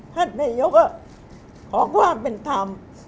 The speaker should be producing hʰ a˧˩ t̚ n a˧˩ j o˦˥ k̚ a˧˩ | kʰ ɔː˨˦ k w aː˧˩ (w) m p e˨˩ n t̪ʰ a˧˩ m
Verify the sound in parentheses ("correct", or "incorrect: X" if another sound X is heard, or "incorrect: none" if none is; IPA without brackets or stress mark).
incorrect: none